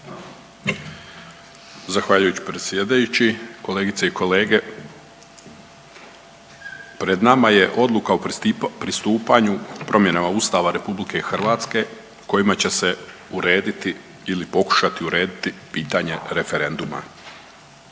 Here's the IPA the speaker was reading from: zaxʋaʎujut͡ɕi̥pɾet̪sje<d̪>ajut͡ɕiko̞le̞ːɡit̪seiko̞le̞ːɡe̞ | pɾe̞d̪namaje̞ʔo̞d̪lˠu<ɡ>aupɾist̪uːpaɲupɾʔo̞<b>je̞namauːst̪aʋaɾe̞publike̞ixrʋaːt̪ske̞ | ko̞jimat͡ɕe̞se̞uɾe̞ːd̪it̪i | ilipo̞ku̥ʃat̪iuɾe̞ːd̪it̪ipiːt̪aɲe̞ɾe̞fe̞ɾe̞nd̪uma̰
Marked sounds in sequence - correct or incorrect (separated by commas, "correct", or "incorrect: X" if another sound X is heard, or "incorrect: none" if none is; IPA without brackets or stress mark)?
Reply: correct, incorrect: k, incorrect: m